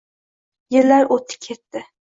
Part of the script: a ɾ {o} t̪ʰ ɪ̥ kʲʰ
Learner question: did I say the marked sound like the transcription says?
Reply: yes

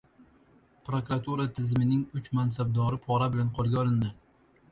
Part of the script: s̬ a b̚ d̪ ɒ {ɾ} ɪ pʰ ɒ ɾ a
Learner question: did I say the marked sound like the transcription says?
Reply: yes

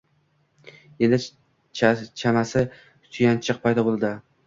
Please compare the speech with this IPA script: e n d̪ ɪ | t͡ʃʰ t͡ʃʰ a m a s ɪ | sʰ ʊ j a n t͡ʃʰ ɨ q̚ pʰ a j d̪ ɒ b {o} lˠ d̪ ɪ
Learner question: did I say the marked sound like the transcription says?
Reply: yes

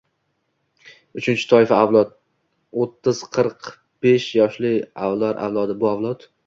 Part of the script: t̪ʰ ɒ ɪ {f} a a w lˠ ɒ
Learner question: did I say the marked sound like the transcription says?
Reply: yes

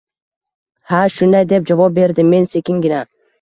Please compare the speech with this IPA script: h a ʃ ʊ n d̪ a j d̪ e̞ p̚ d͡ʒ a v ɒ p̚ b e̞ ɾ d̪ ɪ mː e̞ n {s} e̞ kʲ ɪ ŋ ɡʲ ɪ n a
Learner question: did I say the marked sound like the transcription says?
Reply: yes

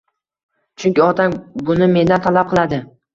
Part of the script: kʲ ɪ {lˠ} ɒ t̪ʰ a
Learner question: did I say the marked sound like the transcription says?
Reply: no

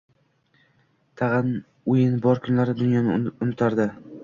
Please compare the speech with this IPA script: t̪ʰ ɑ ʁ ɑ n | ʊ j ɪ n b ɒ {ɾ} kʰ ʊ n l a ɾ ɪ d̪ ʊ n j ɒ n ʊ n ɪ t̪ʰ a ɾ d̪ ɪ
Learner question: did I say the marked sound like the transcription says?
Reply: yes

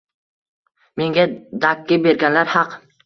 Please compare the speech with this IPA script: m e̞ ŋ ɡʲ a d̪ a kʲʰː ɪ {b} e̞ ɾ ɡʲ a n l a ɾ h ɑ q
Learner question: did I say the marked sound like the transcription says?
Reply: yes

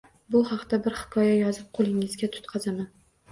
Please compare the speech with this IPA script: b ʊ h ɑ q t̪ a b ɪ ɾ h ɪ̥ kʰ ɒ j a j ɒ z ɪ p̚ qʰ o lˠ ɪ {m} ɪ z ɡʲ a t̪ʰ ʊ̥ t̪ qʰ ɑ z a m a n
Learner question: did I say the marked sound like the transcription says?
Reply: no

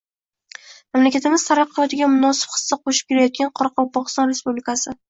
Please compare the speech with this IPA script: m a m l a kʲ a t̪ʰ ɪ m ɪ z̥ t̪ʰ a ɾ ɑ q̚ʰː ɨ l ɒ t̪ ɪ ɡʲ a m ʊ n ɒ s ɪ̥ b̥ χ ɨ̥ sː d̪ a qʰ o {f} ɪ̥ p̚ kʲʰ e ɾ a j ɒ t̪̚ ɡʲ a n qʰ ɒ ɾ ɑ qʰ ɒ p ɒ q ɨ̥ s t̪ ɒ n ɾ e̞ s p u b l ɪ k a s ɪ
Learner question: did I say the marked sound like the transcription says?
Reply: no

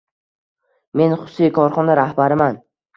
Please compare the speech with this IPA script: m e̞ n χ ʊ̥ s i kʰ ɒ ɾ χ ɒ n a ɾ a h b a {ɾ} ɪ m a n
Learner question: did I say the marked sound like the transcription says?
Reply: yes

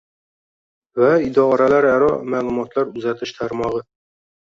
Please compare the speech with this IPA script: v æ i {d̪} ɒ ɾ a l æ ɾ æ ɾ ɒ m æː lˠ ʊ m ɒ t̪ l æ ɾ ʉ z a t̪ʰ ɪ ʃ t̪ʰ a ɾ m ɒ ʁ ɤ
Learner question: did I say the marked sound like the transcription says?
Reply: yes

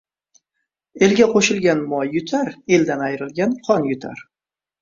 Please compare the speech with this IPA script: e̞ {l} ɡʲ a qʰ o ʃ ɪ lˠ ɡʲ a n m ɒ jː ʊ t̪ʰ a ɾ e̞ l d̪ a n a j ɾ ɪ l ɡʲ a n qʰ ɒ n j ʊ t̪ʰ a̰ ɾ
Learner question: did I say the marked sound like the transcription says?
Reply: yes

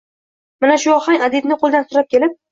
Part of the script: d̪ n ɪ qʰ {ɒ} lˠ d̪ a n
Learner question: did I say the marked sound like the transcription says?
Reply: no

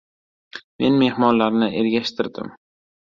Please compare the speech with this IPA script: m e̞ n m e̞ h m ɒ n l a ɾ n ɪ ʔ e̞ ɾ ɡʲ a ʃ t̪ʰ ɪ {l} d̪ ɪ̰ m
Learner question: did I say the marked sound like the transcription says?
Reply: no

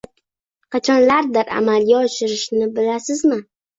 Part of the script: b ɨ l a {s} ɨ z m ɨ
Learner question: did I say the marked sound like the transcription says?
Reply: yes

